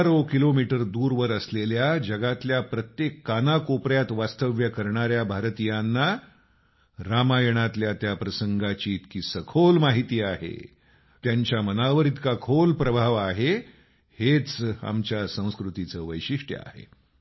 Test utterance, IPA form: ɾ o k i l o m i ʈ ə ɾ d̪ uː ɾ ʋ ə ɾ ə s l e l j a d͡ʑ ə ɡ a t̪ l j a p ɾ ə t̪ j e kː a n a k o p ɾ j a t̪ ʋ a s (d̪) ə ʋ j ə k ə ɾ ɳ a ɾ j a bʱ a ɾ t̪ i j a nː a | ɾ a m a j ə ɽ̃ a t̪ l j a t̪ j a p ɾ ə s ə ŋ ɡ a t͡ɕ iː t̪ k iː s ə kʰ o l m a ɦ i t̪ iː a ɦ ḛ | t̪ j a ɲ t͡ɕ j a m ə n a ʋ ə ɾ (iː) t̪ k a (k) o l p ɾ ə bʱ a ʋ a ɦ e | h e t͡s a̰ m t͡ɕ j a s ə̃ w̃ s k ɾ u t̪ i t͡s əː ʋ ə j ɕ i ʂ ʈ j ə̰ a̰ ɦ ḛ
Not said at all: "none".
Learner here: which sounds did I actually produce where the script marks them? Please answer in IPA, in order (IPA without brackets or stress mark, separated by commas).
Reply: t̪, i, kʰ